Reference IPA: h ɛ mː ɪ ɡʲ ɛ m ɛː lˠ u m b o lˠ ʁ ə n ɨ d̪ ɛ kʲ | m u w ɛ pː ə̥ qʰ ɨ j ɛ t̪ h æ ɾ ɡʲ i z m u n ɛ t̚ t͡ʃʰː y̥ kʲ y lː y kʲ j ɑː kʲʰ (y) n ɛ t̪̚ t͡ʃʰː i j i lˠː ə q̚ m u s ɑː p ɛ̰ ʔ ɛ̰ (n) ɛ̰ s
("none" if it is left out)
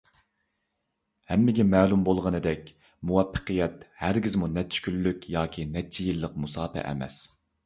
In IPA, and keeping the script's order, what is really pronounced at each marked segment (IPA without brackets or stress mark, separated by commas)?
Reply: i, m